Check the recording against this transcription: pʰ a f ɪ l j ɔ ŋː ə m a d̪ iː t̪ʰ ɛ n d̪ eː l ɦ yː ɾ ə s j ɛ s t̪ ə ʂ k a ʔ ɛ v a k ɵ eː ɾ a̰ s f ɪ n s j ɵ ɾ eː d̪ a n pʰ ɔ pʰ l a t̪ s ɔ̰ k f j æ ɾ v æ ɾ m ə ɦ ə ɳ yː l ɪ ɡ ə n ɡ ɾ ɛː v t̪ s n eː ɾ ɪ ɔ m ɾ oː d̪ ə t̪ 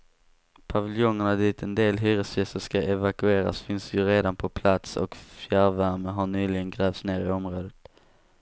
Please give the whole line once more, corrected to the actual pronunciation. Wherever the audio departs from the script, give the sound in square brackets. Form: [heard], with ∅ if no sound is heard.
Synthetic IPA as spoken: pʰ a [v] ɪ l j ɔ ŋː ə [ɳ] a d̪ iː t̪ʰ ɛ n d̪ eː l ɦ yː ɾ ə s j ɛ s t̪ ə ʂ k a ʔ ɛ v a k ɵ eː ɾ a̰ s f ɪ n s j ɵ ɾ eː d̪ a n pʰ ɔ pʰ l a t̪ s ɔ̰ k f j æ ɾ v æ ɾ m ə ɦ [a] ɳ yː l ɪ ɡ ə n ɡ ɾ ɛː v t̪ s n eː ɾ ɪ ɔ m ɾ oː d̪ ə t̪